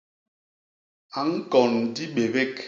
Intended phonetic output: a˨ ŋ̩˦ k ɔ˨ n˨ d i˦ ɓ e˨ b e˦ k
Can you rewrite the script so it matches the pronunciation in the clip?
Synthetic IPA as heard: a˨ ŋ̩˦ k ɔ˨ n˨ d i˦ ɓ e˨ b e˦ k